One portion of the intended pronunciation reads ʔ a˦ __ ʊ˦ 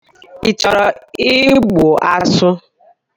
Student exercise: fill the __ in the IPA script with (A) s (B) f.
A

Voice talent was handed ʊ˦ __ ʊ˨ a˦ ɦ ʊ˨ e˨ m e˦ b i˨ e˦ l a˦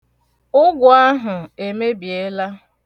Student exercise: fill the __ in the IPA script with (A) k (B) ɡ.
B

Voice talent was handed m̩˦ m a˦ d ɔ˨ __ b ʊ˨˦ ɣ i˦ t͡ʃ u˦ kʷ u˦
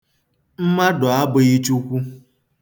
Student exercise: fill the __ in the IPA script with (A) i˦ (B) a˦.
B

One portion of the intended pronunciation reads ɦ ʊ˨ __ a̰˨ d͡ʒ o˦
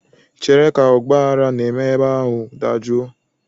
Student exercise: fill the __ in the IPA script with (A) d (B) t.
A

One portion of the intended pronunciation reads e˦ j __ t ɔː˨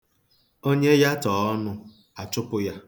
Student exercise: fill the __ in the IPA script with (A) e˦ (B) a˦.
B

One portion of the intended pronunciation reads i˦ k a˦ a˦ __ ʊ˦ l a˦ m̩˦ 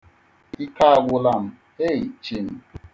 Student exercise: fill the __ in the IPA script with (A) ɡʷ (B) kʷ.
A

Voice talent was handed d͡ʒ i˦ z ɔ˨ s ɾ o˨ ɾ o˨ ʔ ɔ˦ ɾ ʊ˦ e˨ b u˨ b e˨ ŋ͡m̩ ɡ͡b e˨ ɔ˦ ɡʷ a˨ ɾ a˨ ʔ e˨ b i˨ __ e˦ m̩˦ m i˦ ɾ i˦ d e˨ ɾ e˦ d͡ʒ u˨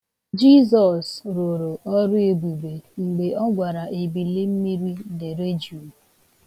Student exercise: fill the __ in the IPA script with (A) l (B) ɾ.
A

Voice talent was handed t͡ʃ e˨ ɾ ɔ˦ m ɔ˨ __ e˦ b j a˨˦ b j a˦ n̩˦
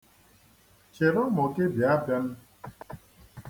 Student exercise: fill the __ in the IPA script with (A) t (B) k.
B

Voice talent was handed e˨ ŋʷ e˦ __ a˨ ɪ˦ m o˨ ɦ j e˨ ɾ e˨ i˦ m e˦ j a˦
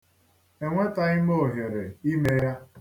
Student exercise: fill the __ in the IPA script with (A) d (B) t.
B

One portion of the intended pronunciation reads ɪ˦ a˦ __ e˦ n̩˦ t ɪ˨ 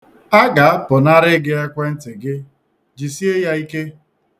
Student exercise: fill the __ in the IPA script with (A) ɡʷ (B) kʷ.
B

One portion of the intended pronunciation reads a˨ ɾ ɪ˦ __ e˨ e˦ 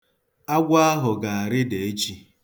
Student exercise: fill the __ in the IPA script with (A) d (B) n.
A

